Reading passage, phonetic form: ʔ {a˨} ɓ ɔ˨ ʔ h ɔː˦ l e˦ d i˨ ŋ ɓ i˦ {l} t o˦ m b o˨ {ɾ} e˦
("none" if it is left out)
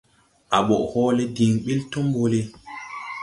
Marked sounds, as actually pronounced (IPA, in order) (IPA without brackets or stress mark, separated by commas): a˨, l, l